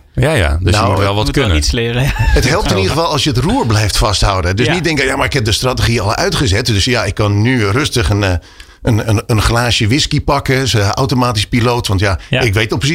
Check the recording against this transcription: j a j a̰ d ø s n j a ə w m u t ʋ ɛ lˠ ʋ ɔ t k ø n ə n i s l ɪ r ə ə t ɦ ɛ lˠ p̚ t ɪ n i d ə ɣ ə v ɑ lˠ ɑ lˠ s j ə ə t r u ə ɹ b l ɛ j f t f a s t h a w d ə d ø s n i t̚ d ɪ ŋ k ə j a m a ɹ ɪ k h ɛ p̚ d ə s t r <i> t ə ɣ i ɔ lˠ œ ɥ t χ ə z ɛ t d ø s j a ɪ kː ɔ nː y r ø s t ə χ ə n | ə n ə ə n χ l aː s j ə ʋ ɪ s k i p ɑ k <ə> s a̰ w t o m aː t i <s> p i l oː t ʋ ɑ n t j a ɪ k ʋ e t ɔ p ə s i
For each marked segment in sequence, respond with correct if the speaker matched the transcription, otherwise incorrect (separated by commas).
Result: incorrect, correct, correct